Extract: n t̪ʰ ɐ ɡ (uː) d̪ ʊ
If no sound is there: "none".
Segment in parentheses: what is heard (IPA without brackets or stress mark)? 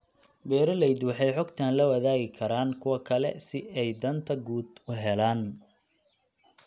uː